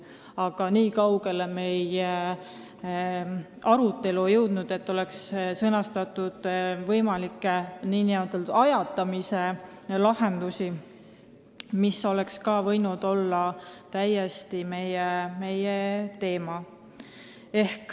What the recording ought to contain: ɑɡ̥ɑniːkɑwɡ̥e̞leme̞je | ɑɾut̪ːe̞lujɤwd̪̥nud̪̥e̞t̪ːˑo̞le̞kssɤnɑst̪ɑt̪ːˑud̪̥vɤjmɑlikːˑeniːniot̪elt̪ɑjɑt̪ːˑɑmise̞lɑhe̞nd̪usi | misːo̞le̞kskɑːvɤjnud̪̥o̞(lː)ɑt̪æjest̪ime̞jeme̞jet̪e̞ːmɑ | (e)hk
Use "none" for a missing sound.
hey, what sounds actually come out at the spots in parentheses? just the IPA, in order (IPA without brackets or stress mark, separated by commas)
lː, e